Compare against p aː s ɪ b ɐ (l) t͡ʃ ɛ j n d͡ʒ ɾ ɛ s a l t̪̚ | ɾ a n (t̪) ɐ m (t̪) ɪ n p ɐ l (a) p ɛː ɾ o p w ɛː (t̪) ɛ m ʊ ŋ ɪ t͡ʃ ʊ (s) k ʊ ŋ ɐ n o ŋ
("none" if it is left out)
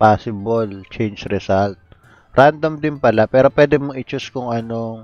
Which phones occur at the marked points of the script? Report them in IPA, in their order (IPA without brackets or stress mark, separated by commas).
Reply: l, d̪, d̪, a, d̪, s